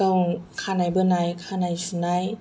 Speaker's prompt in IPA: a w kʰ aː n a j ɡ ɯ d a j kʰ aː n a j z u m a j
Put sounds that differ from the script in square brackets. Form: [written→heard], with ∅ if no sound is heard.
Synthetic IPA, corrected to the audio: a w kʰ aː n a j [ɡ→b] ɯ [d→n] a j kʰ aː n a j [z→s] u [m→n] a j